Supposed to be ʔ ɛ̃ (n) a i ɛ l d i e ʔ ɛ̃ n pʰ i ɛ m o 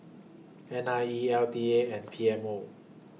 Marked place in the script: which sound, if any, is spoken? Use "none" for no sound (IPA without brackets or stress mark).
n